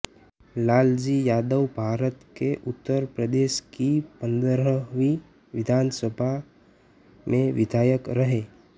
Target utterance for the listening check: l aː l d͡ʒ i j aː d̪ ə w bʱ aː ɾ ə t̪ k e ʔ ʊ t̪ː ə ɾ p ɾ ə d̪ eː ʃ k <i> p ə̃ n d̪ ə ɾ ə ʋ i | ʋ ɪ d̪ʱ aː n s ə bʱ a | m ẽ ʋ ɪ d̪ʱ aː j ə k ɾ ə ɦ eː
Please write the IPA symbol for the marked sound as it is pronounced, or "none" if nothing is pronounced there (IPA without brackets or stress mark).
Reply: i